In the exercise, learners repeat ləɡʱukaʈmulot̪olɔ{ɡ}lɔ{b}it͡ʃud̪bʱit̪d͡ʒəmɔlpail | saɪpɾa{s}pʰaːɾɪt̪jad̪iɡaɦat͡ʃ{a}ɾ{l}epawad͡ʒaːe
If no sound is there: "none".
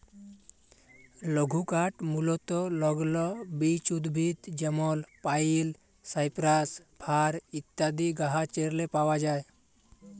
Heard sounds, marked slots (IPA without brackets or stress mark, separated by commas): ɡ, b, s, e, l